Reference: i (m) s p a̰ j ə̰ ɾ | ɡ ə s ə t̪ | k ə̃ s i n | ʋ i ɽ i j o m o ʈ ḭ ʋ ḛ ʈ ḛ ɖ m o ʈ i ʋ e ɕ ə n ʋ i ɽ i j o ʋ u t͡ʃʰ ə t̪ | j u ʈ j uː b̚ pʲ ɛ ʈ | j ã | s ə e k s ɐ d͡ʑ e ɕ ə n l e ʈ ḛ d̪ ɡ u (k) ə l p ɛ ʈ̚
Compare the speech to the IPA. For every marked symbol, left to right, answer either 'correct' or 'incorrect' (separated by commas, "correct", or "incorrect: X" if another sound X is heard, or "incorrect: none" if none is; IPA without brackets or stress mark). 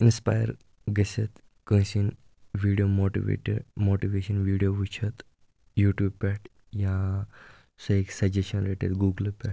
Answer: incorrect: n, incorrect: ɡ